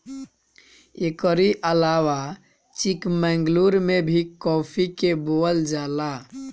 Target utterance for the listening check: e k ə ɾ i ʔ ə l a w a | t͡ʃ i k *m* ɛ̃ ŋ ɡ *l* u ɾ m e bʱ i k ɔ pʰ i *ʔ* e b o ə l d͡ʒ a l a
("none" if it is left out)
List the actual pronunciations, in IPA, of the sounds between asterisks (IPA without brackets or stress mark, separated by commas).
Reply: m, l, k